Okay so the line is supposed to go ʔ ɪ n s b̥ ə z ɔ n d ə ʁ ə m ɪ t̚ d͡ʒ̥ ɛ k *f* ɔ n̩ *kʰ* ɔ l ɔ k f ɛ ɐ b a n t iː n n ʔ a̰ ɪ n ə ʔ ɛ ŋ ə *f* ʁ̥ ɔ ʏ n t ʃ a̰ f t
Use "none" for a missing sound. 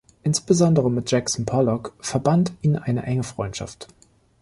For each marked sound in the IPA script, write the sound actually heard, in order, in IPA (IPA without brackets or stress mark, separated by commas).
s, pʰ, f